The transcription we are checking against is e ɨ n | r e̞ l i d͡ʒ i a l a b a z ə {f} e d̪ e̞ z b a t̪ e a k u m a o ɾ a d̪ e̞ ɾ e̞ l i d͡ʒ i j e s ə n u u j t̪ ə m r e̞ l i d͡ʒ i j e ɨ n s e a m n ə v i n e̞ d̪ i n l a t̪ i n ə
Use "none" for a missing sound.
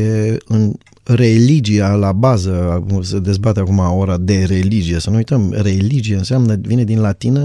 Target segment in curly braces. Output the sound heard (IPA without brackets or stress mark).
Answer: s